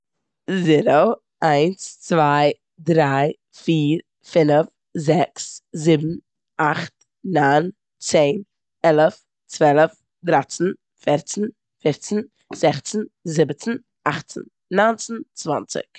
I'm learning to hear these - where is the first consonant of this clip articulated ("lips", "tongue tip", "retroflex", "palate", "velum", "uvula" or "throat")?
tongue tip